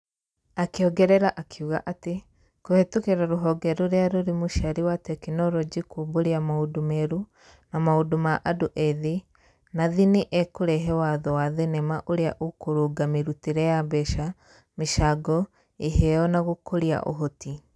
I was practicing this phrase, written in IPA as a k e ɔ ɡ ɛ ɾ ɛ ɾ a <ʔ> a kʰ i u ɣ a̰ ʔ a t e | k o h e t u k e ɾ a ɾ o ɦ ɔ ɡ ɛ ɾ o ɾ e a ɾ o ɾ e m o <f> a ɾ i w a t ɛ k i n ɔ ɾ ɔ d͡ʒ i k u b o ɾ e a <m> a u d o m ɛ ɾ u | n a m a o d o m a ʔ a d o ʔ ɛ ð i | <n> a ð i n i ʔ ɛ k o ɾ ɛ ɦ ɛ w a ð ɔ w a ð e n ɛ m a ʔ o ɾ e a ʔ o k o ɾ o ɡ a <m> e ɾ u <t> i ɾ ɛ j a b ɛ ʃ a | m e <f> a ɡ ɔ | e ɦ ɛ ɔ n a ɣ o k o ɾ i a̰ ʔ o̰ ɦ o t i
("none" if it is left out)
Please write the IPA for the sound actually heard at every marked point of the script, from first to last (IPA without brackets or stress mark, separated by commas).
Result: ʔ, ʃ, m, n, m, t, ʃ